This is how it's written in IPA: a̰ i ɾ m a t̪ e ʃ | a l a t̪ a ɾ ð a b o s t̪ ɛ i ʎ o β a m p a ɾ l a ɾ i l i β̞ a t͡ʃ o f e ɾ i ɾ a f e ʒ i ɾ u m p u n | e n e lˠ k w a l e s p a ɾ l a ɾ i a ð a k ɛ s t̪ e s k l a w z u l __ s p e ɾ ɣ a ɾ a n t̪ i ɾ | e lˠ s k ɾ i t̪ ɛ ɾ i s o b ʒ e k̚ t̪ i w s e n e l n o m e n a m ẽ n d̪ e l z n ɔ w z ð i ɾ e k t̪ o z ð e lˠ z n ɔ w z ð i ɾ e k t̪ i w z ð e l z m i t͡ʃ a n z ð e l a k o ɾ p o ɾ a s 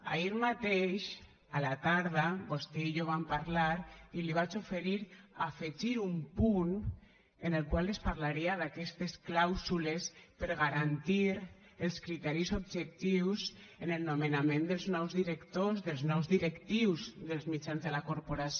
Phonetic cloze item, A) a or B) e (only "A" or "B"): B